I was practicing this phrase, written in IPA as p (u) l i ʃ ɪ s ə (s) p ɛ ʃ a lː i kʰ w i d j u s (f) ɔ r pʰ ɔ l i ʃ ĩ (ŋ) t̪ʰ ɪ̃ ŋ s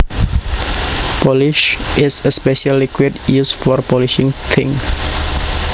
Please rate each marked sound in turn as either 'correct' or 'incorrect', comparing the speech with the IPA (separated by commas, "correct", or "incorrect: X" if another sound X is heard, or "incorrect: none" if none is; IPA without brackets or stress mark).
incorrect: ɔ, correct, correct, correct